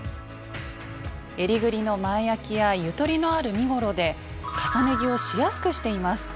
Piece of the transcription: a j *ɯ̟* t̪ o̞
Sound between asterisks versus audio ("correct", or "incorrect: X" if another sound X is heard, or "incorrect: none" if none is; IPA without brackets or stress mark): correct